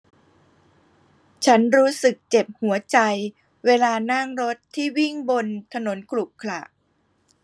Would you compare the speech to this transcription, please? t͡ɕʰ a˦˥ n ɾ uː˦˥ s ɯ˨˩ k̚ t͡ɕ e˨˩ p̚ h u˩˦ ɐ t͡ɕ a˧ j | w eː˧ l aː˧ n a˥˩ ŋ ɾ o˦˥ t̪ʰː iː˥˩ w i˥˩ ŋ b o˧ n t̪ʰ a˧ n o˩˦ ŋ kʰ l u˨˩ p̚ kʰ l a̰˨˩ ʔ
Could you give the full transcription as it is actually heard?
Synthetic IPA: t͡ɕʰ a˦˥ n ɾ uː˦˥ s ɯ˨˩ k̚ t͡ɕ e˨˩ p̚ h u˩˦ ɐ t͡ɕ a˧ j | w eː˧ l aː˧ n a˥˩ ŋ ɾ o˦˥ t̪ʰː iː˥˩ w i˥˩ ŋ b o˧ n t̪ʰ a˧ n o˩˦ n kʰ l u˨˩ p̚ kʰ l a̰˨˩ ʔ

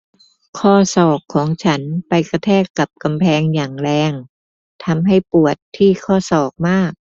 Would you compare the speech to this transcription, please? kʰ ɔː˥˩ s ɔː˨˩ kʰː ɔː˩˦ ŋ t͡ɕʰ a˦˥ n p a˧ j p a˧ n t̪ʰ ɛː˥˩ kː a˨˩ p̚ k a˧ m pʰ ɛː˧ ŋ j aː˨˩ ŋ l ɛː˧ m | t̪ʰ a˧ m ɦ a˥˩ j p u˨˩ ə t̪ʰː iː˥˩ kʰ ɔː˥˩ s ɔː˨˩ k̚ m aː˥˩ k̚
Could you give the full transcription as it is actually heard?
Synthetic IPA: kʰ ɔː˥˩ s ɔː˨˩ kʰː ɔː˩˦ ŋ t͡ɕʰ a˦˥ n p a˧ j k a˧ t̪ʰ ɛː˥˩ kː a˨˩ p̚ k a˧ m pʰ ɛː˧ ŋ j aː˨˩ ŋ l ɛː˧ ŋ | t̪ʰ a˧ m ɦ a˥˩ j p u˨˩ ə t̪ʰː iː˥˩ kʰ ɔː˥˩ s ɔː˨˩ k̚ m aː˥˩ k̚

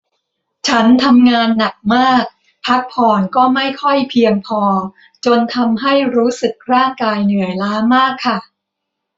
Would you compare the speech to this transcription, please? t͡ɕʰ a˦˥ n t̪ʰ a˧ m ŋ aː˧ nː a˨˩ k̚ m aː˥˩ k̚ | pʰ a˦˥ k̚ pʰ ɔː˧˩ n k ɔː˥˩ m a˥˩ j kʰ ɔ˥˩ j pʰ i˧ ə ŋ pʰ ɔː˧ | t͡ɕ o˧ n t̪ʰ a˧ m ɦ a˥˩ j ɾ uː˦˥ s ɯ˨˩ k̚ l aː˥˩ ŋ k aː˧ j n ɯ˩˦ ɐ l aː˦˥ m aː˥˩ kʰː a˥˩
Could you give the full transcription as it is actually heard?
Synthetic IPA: t͡ɕʰ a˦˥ n t̪ʰ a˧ m ŋ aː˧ nː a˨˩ k̚ m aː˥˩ k̚ | pʰ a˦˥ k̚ pʰ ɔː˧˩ n k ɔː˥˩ m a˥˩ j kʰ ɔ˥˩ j pʰ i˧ ə ŋ pʰ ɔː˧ | t͡ɕ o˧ n t̪ʰ a˧ m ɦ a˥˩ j ɾ uː˦˥ s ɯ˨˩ k̚ ɾ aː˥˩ ŋ k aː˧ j n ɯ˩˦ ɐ l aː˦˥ m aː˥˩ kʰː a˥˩

